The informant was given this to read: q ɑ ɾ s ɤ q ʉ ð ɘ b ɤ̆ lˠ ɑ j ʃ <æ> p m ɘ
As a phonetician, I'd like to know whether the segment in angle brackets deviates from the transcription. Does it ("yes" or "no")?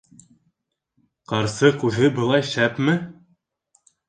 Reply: no